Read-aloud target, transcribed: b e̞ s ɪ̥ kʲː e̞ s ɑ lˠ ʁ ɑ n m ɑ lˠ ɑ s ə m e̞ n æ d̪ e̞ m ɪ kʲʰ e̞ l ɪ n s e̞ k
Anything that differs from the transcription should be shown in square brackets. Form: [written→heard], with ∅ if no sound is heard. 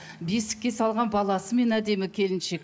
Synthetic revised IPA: b e̞ s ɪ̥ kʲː e̞ s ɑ lˠ ʁ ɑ n [m→b] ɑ lˠ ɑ s ə m e̞ n æ d̪ e̞ m ɪ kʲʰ e̞ l ɪ n [s→ʃ] e̞ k